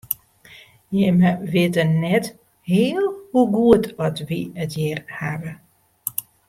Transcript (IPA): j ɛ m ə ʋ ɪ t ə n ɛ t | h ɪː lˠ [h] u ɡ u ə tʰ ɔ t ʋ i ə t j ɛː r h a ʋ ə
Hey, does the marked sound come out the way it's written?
yes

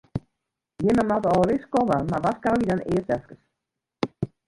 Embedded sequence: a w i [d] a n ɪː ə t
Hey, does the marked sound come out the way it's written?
yes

